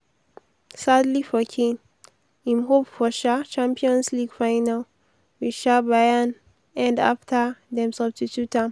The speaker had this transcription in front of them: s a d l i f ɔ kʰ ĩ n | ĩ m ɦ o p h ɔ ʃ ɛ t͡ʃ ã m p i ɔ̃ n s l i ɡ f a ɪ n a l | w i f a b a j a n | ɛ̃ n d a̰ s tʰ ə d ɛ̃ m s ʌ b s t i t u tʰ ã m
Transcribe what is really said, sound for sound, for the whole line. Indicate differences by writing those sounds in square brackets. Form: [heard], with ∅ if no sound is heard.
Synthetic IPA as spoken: s a d l i f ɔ kʰ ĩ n | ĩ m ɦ o p [f] ɔ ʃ [a] t͡ʃ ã m p i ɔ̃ n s l i ɡ f a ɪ n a l | w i [ʃ] a b a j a n | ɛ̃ n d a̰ [f] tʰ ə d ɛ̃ m s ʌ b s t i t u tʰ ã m